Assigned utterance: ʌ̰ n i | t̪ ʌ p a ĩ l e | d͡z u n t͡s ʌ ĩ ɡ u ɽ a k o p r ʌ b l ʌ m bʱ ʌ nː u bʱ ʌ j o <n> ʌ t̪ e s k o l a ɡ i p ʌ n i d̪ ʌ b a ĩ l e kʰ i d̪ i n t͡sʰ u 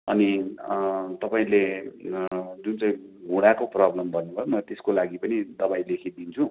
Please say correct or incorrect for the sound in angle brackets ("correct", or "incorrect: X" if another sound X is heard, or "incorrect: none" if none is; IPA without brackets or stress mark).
incorrect: m